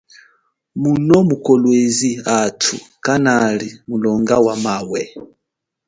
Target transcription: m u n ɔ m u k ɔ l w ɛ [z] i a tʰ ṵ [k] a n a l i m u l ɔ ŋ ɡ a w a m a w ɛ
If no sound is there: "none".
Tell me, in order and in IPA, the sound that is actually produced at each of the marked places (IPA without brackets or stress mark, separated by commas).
z, k